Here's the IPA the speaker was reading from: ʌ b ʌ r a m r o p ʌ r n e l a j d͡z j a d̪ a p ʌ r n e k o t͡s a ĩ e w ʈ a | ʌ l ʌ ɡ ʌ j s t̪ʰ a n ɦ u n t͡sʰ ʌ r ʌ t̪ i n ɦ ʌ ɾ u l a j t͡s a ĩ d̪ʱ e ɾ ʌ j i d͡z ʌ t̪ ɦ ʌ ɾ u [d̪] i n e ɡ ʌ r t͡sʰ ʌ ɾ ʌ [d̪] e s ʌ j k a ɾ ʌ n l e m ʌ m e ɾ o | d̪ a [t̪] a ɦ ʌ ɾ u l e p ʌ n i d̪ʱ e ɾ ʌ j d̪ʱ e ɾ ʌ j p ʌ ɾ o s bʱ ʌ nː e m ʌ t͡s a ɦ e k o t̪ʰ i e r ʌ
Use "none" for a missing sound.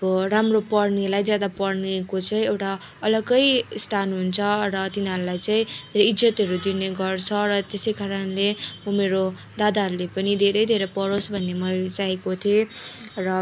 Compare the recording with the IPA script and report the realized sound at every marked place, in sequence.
d̪, t̪, d̪

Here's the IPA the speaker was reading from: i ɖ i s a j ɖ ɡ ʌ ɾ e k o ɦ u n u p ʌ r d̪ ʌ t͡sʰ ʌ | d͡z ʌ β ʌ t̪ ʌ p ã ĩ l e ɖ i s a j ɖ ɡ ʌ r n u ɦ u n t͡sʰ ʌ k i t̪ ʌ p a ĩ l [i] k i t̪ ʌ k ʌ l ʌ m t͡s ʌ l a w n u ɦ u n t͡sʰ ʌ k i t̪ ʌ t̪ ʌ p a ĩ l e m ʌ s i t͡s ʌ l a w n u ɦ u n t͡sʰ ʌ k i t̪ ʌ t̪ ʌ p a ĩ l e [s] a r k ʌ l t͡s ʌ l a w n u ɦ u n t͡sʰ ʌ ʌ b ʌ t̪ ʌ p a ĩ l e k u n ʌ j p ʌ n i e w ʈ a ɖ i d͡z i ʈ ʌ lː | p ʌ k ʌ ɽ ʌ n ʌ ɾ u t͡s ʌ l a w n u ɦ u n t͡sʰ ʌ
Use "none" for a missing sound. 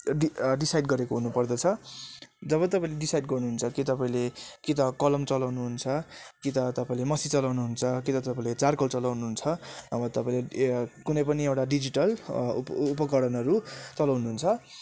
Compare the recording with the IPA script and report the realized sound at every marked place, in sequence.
e, t͡s

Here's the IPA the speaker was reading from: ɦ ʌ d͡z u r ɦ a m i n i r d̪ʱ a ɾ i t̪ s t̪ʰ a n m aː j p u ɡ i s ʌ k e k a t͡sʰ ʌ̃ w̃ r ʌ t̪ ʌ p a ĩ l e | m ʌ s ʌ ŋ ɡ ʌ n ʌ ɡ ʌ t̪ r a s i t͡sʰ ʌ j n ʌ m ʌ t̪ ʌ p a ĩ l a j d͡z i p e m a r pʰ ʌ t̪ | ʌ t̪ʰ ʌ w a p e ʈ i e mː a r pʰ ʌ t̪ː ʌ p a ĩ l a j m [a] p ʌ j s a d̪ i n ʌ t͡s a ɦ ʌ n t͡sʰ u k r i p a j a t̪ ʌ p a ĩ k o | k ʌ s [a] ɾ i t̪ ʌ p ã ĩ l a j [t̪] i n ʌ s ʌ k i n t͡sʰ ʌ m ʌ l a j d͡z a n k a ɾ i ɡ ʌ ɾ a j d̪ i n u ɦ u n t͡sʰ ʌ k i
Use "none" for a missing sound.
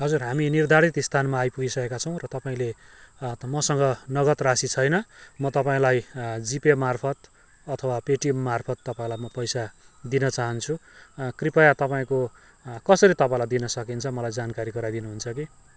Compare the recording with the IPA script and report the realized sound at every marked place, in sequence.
ʌ, ʌ, d̪

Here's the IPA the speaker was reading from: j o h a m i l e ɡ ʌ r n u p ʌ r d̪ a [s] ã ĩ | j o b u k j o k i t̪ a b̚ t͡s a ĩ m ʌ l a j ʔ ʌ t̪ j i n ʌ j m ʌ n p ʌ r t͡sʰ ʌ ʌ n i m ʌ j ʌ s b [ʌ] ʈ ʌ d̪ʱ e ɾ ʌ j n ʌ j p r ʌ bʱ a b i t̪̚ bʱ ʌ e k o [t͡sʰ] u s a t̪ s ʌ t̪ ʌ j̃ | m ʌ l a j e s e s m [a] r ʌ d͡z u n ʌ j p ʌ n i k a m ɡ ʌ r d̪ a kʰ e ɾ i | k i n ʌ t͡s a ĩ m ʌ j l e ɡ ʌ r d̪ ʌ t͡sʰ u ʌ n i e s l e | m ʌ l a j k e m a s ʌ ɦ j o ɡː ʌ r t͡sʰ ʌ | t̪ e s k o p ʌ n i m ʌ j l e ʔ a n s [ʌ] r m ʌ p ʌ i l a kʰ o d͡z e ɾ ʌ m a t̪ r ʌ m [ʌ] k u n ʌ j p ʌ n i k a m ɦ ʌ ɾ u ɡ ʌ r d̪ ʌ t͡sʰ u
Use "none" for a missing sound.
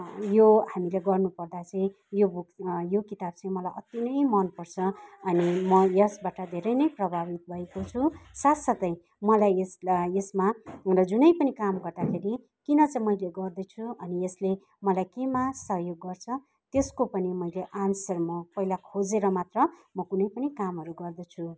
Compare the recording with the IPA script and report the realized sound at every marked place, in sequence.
t͡s, a, t͡sʰ, a, ʌ, ʌ

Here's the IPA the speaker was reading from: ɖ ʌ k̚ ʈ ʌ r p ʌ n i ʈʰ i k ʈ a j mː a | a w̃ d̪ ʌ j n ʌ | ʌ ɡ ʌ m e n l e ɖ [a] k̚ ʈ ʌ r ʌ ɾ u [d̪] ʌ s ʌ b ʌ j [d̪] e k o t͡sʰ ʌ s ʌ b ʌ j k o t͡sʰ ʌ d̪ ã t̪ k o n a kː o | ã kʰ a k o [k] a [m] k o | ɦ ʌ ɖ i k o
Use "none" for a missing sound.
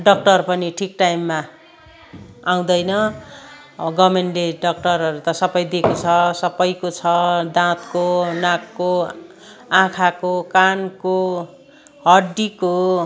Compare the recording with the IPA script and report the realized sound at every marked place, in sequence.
ʌ, t̪, d̪, k, n

